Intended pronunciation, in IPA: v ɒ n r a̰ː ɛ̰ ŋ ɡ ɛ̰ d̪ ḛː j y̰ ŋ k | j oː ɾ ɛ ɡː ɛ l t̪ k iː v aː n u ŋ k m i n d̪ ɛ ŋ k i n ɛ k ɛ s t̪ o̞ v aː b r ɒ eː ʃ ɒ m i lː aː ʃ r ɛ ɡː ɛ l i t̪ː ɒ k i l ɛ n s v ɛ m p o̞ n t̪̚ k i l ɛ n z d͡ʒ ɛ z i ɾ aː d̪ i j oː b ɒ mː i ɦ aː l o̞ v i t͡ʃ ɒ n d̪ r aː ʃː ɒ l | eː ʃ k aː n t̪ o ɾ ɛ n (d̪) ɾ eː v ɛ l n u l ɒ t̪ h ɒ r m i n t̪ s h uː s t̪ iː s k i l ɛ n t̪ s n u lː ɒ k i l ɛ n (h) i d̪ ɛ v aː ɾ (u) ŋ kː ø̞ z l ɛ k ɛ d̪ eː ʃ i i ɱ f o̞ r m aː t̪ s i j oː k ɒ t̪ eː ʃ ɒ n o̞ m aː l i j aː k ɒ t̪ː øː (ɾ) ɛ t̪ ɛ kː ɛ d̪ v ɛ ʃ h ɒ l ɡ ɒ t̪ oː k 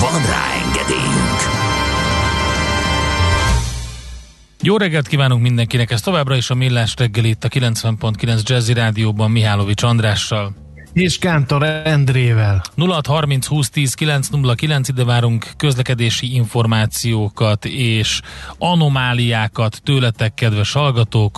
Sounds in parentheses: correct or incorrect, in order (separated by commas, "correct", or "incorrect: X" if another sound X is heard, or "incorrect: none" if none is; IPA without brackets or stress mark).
correct, incorrect: s, correct, incorrect: l